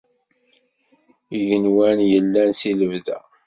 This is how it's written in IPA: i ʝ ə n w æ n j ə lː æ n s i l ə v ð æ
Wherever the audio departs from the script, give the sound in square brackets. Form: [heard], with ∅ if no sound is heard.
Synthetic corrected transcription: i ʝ ə n w æ n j ə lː æ n s i l ə v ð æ

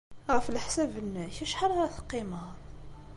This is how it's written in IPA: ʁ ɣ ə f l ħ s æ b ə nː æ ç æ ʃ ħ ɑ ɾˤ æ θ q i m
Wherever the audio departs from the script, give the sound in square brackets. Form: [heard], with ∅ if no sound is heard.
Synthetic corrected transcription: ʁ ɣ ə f l ħ s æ b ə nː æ ç æ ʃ ħ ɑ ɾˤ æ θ q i m

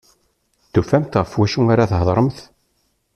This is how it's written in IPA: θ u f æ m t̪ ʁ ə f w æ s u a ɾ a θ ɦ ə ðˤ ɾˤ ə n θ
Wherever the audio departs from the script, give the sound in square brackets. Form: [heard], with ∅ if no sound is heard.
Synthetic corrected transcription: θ u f æ m t̪ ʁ ə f w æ [ʃ] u a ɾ a θ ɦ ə ðˤ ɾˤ ə [m] θ

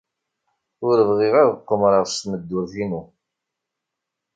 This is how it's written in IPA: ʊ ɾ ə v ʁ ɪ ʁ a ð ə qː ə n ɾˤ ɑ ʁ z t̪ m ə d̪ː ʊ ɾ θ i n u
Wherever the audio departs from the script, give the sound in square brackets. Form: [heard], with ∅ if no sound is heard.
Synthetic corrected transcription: ʊ ɾ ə v ʁ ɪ ʁ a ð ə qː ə [m] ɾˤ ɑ ʁ [s] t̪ m ə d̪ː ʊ ɾ θ i n u

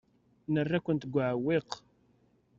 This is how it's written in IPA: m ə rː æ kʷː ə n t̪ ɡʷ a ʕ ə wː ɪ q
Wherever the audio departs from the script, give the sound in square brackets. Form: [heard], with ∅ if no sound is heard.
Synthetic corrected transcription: [n] ə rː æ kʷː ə n t̪ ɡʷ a ʕ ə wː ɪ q

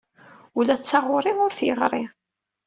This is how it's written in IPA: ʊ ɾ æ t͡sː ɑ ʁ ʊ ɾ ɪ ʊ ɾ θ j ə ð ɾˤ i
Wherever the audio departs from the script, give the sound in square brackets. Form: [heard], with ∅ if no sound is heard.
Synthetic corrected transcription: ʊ [l] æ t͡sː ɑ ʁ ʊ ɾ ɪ ʊ ɾ θ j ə [ʁ] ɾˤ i

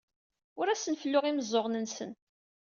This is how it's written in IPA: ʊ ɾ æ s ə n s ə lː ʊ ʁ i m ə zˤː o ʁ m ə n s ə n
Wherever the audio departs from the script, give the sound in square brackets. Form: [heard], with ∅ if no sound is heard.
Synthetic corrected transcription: ʊ ɾ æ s ə n [f] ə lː ʊ ʁ i m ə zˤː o ʁ [n] ə n s ə n

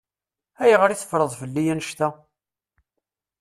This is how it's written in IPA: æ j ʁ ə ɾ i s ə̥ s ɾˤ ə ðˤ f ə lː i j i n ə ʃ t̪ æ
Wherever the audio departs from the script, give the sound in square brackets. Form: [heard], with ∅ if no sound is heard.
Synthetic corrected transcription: æ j ʁ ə ɾ i [θ] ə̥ [f] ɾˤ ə ðˤ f ə lː i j [æ] n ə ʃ t̪ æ

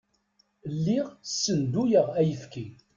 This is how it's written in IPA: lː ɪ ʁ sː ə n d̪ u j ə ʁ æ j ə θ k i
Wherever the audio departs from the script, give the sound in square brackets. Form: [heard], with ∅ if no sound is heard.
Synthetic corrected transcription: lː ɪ ʁ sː ə n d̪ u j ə ʁ æ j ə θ k i

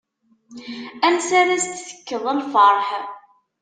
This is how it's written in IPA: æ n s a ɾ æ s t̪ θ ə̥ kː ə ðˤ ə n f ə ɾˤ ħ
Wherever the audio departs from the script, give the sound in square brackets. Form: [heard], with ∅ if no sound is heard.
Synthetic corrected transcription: æ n s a ɾ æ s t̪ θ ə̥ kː ə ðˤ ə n f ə ɾˤ ħ

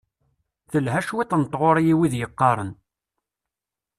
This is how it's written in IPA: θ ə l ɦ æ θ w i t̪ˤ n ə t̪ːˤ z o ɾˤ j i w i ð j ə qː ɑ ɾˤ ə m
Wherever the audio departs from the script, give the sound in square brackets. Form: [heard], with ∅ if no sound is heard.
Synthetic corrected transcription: θ ə l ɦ æ [ʃ] w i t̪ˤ n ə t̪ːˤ [ʁ] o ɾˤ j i w i ð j ə qː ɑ ɾˤ ə [n]

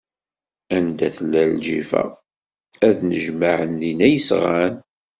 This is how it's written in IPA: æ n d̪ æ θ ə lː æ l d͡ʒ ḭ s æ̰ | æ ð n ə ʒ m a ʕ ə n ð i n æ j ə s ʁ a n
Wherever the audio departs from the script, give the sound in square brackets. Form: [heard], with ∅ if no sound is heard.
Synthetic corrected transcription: æ n d̪ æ θ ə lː æ l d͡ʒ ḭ [f] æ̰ | æ ð n ə ʒ m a ʕ ə n ð i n æ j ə s ʁ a n

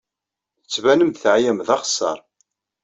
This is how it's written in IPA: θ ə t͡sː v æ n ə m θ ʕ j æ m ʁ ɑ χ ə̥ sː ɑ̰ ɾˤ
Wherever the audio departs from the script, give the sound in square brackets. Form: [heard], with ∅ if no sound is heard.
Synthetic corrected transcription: θ ə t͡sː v æ n ə m θ ʕ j æ m [ð] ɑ χ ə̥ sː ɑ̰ ɾˤ

